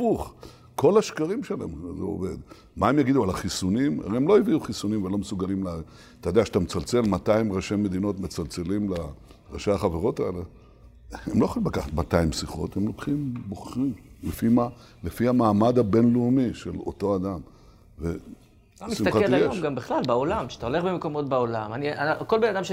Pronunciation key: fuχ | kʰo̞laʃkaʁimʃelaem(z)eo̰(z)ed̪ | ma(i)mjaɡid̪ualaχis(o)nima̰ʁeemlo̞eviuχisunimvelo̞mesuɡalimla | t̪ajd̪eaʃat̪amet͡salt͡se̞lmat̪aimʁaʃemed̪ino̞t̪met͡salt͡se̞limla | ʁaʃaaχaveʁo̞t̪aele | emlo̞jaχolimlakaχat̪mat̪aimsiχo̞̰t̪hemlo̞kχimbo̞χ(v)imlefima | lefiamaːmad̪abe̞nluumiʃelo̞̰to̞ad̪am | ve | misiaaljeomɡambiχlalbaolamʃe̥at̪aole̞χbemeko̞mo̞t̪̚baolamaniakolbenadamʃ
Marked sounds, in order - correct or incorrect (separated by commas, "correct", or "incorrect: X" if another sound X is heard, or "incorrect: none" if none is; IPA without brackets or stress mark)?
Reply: correct, incorrect: v, incorrect: e, incorrect: u, incorrect: ʁ